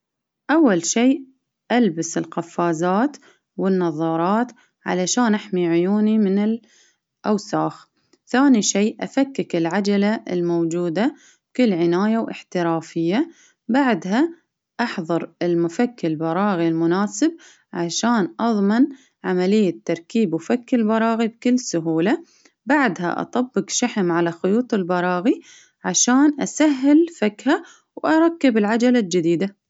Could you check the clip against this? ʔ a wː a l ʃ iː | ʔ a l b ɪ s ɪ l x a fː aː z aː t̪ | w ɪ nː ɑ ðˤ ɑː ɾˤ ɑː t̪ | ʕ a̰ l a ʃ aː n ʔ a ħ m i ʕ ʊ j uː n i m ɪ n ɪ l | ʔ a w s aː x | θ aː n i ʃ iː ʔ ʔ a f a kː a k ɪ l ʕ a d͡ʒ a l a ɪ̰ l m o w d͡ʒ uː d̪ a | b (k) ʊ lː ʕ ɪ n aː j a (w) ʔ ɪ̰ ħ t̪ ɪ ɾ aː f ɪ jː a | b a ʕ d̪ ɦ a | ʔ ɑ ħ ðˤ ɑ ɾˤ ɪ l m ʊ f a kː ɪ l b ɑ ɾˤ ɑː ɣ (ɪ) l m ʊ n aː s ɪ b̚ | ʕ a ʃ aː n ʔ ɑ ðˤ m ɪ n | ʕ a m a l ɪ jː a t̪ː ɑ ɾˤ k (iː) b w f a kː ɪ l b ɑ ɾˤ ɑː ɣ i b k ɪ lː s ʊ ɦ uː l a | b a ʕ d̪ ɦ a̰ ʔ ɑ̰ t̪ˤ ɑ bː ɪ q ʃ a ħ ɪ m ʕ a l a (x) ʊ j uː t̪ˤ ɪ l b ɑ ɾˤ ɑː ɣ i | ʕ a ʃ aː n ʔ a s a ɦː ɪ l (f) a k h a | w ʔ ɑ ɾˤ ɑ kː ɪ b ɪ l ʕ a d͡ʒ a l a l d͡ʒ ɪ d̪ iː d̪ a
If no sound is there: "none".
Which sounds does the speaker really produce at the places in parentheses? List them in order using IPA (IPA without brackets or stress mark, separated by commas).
k, w, i, iː, x, f